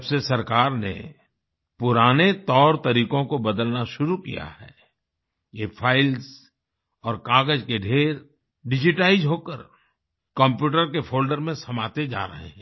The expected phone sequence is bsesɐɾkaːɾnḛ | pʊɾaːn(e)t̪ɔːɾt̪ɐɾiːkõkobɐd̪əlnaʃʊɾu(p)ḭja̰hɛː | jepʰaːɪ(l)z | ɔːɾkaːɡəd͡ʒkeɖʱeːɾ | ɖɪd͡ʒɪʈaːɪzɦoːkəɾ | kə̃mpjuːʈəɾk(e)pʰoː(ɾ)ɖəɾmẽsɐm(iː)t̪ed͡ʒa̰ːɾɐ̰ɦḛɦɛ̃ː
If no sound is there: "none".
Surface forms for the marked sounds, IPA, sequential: e, k, l, e, l, aː

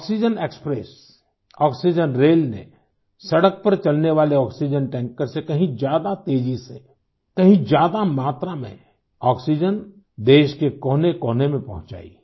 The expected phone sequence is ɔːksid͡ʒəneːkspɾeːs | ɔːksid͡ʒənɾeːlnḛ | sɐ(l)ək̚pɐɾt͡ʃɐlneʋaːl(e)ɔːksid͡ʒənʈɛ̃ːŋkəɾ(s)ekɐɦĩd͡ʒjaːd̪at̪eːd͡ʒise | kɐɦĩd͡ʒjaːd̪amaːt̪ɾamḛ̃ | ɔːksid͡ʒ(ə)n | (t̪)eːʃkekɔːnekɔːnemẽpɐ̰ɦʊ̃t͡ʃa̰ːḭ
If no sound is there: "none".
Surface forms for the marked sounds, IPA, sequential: ɽ, e, s, ə, d̪

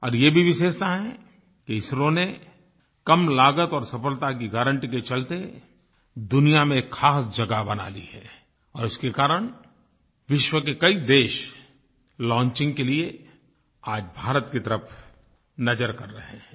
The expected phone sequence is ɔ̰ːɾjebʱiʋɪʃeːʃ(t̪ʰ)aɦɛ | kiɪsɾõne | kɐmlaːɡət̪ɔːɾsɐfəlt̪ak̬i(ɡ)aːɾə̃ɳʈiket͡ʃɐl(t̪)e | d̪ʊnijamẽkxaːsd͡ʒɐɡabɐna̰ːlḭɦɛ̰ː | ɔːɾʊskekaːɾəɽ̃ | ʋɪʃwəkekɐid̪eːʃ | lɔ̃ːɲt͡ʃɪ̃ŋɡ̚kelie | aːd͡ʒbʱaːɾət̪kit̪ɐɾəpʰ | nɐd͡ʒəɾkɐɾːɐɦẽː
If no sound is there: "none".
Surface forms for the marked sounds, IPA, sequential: t̪, ɡ, t̪

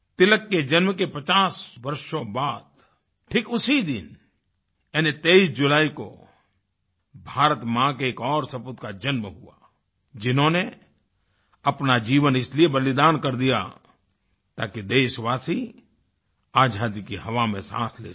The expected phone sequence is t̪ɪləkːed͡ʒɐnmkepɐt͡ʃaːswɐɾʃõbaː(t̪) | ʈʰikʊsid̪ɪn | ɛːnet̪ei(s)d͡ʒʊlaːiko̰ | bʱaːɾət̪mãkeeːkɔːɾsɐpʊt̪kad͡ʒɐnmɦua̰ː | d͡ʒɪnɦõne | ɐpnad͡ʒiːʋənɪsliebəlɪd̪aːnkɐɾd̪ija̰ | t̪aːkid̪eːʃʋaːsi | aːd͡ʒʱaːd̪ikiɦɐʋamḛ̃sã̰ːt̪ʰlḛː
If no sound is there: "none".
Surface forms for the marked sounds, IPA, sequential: d̪, s

